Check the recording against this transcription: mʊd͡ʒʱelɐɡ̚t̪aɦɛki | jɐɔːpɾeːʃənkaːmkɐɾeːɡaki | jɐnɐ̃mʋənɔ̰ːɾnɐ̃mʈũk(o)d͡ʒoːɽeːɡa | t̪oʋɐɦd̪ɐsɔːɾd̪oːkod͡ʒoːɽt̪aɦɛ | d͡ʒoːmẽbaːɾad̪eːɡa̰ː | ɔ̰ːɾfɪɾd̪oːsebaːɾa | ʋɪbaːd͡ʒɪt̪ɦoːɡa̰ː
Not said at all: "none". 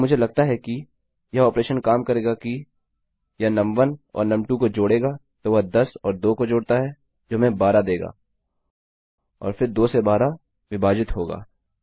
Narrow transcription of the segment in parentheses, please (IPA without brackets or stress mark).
o